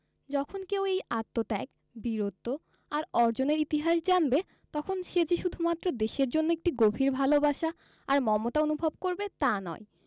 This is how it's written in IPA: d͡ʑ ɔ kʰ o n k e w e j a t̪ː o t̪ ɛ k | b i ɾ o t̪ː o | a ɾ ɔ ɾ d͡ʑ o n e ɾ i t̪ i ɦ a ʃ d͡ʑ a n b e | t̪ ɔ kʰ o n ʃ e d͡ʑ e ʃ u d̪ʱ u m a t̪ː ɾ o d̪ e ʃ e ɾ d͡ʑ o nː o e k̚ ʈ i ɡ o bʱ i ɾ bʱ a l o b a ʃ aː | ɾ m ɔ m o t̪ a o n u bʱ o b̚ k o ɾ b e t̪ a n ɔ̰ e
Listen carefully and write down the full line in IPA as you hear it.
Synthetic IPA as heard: d͡ʑ ɔ kʰ o n k e w e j a t̪ː o t̪ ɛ k | b i ɾ o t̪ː o | a ɾ ɔ ɾ d͡ʑ o n e ɾ i t̪ i ɦ a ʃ d͡ʑ a n b e | t̪ ɔ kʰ o n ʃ e d͡ʑ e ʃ u d̪ʱ u m a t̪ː ɾ o d̪ e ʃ e ɾ d͡ʑ o nː o e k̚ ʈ i ɡ o bʱ i ɾ bʱ a l o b a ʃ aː | ɾ m ɔ m o t̪ a o n u bʱ o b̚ k o ɾ b e t̪ a n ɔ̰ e